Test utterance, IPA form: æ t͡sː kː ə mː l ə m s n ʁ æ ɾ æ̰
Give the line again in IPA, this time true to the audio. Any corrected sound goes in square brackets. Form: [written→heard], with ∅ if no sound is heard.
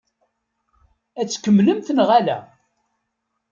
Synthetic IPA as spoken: æ t͡sː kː ə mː l ə m [s→θ] n ʁ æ [ɾ→l] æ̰